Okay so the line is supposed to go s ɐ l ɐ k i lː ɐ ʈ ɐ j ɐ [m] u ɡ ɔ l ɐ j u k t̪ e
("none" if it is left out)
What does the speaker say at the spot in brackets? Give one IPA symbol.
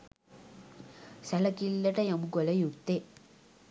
m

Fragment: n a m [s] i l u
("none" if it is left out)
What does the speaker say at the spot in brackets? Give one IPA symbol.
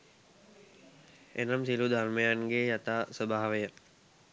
s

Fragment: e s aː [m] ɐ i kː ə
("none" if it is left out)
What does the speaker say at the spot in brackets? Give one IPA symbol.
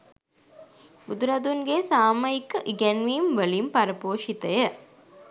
m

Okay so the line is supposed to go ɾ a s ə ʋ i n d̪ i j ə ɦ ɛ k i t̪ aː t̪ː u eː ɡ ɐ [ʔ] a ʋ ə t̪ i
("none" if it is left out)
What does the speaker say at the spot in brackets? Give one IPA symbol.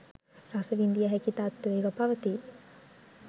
p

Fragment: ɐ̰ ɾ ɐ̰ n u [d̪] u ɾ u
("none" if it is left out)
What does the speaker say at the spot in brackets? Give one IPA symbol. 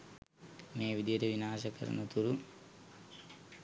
t̪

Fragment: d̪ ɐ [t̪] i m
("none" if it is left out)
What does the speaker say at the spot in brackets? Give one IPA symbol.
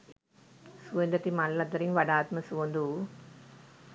t̪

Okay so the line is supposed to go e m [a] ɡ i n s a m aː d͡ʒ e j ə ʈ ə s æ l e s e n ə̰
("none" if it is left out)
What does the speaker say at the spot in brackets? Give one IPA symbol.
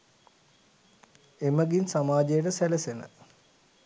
ə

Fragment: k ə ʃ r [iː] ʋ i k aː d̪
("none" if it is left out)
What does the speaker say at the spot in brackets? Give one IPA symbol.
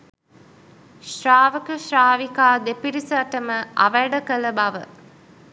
aː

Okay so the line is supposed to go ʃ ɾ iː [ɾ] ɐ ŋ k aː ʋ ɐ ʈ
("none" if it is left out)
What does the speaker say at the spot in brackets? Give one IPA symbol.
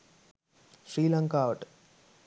l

